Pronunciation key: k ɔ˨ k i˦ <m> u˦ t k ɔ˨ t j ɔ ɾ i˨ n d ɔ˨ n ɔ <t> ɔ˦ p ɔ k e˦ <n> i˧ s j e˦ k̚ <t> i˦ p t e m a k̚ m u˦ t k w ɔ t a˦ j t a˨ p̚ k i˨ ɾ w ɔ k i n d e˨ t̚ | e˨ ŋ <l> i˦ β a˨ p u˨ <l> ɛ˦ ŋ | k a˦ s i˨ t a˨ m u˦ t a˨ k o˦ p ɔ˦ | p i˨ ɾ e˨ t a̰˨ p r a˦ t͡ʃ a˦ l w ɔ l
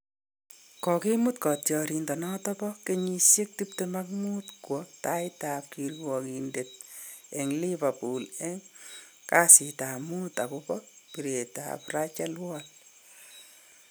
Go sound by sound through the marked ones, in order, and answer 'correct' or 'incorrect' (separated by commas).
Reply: correct, correct, incorrect, correct, correct, correct